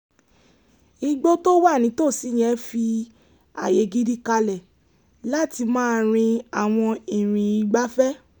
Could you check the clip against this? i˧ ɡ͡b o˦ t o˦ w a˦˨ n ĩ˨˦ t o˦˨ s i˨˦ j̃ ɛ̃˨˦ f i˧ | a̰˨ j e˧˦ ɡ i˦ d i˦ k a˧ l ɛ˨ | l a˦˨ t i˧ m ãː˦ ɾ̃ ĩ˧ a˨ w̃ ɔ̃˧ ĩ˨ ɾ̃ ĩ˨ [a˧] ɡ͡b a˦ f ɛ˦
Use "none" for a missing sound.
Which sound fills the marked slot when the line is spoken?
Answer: i˧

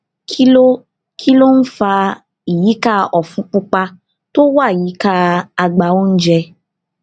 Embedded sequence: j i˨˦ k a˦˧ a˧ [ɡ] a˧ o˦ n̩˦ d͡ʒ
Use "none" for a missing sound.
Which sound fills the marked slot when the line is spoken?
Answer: ɡ͡b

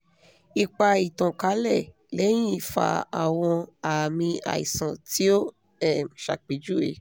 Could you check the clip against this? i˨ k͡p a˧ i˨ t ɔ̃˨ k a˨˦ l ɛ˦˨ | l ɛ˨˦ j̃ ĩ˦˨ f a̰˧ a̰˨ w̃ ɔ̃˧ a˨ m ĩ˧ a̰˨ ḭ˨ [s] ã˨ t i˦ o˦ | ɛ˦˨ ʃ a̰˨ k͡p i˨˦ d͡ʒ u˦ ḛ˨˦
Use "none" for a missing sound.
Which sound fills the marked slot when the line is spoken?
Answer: s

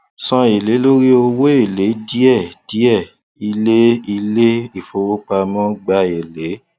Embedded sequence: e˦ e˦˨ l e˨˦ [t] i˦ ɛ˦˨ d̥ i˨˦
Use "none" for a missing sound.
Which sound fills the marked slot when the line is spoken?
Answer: d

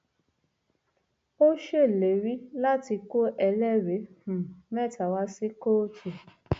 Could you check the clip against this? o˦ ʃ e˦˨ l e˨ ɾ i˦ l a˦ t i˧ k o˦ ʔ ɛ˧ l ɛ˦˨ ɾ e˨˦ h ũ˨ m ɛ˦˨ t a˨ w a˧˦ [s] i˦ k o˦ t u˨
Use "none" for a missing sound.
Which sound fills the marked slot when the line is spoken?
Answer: s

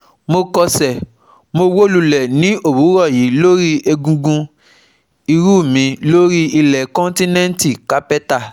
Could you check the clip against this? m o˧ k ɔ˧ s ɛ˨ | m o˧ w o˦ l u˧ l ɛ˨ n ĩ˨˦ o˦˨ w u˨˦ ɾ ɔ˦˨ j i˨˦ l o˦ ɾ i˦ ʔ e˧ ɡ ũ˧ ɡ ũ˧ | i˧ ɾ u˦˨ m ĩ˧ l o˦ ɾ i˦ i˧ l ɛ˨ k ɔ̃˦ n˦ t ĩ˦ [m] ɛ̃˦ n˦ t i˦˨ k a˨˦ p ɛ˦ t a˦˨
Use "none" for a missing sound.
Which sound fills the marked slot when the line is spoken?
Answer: n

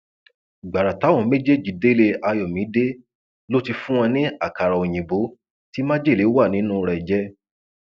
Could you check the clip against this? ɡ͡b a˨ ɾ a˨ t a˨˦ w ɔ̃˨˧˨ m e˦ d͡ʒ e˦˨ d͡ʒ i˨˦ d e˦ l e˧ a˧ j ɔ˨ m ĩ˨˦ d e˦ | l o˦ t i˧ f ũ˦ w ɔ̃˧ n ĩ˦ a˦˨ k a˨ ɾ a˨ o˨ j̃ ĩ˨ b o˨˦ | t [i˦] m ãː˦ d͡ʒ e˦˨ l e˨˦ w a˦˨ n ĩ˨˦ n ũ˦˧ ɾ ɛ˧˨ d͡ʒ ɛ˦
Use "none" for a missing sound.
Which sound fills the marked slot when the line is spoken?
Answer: i˦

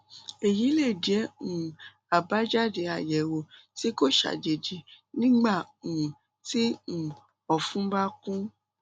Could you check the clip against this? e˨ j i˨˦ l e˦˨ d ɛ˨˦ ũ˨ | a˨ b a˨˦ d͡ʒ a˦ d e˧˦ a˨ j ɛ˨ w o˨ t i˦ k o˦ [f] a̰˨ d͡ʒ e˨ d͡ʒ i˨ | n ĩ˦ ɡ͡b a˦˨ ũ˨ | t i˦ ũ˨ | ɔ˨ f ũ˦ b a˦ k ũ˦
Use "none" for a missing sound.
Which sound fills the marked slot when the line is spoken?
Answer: ʃ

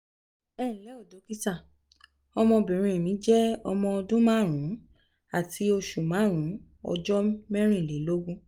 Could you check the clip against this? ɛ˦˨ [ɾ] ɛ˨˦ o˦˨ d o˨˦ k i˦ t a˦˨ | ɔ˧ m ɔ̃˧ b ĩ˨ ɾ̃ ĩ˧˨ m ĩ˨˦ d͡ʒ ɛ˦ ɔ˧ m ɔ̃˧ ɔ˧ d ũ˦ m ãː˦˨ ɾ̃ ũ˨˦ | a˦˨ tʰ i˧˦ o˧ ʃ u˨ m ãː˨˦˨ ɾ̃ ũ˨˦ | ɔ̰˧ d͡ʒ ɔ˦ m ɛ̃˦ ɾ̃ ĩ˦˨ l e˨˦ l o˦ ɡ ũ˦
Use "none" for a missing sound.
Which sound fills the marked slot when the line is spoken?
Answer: l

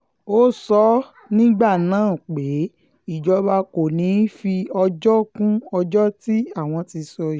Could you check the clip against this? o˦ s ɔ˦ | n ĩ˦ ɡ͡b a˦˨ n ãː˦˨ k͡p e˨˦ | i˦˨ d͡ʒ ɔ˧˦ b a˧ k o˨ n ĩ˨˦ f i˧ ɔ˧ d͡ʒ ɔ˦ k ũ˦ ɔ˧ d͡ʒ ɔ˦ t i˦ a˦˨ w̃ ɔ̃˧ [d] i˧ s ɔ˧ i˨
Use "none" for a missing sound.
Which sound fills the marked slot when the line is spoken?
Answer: t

